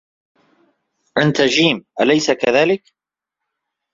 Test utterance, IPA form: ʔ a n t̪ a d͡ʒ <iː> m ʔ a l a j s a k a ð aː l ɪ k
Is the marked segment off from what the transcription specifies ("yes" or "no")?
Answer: no